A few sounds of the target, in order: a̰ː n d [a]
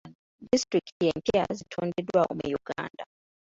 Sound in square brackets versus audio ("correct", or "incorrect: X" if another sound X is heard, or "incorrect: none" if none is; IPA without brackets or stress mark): correct